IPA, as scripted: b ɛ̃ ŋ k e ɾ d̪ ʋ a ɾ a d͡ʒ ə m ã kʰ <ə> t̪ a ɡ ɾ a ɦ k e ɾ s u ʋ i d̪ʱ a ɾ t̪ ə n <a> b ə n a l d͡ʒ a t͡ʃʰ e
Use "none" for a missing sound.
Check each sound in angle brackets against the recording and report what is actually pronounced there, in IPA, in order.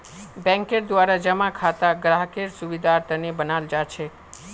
a, e

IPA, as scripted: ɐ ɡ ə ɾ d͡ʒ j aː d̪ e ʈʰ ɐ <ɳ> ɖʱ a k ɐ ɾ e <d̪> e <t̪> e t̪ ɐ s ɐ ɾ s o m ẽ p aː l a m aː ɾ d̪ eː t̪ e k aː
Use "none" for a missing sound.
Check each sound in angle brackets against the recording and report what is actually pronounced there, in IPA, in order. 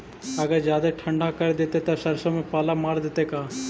ɳ, d̪, t̪

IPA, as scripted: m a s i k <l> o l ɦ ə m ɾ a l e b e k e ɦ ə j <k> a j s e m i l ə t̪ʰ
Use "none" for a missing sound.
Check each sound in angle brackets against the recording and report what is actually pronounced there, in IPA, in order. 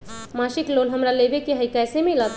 l, k

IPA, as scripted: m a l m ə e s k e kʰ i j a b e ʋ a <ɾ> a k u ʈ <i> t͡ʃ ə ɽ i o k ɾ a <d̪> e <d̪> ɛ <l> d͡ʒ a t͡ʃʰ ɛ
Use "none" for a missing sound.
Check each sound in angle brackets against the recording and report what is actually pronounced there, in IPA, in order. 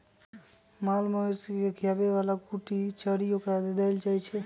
l, i, d̪, d̪, l

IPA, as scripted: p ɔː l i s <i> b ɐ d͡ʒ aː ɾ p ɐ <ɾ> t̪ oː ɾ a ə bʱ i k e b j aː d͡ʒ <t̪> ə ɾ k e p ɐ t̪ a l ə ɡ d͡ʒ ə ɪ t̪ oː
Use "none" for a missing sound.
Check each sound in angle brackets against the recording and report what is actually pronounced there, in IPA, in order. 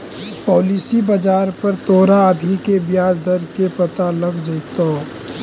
i, ɾ, d̪

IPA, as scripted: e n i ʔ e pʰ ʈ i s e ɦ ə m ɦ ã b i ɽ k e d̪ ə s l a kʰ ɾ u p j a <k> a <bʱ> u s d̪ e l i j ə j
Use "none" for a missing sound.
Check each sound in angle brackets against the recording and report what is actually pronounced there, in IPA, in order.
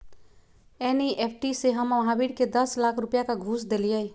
k, ɡʱ

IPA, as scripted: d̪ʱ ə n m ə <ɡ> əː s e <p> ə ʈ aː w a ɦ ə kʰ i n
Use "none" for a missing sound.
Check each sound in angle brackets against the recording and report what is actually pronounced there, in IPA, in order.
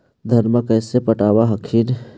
k, p

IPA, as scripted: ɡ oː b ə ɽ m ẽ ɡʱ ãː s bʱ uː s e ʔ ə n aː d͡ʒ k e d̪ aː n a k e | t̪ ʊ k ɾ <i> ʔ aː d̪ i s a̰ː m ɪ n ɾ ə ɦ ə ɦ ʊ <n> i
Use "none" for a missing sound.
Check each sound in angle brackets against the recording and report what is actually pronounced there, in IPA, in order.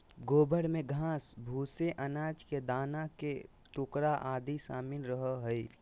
a, none

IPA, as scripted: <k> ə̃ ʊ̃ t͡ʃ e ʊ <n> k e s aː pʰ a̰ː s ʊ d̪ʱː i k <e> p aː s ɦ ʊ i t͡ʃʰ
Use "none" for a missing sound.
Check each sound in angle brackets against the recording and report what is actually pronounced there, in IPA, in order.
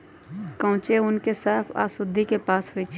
k, n, e

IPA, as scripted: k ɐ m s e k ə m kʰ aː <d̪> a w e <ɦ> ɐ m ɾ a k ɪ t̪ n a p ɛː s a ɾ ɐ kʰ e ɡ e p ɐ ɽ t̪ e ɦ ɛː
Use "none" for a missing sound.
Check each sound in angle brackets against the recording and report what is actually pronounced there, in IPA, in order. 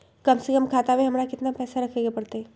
t̪, ɦ

